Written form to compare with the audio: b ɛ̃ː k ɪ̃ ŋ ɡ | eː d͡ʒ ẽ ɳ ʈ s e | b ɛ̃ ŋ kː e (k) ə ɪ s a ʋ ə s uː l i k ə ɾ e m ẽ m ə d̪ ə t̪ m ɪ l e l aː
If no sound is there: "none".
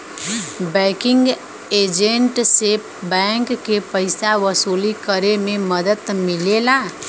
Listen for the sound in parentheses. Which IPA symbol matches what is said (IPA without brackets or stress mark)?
p